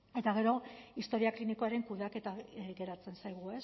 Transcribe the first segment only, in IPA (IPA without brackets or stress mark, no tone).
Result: e̞